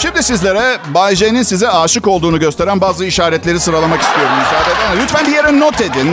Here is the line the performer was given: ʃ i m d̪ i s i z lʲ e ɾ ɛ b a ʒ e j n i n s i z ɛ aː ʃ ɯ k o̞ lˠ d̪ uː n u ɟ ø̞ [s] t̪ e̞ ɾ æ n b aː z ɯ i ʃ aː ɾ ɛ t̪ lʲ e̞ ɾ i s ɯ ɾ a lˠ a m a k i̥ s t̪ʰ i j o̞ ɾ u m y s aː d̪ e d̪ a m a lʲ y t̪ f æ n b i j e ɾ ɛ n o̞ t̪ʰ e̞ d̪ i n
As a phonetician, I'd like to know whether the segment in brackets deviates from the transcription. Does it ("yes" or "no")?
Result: no